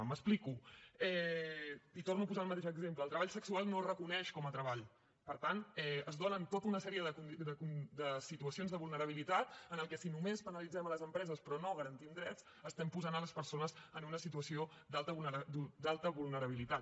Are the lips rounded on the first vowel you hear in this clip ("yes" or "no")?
no